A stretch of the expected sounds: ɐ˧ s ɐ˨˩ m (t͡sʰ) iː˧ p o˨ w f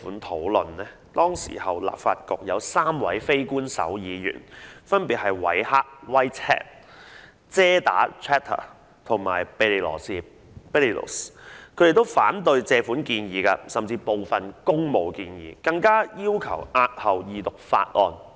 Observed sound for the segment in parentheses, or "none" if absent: t͡s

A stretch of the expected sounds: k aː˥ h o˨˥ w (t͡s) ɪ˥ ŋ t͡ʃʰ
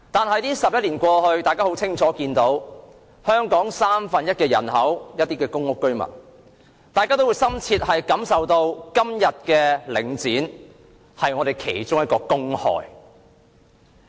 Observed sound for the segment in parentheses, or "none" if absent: t͡sʰ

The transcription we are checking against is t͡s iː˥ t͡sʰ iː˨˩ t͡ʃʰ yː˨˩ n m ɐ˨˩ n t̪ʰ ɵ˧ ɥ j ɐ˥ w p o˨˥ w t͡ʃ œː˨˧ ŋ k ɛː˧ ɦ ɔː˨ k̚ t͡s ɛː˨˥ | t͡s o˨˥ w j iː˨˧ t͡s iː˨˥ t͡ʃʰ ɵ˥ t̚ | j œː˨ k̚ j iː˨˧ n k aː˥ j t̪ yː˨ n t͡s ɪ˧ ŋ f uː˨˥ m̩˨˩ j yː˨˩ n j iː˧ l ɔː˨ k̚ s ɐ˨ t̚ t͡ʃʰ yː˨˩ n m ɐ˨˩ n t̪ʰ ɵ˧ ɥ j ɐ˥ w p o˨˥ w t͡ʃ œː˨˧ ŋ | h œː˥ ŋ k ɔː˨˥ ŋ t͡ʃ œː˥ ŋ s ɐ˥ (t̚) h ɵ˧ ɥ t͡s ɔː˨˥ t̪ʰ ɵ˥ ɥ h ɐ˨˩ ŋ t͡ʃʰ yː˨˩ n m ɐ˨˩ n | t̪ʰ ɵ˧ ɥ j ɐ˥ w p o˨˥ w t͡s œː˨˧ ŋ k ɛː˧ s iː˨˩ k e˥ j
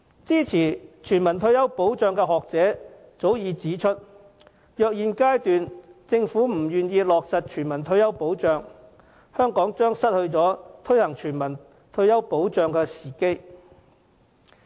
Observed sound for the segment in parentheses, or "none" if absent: t̚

